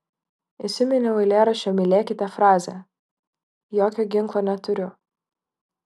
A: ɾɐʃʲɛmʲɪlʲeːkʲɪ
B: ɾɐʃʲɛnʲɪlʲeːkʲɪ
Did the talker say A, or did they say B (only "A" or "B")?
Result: A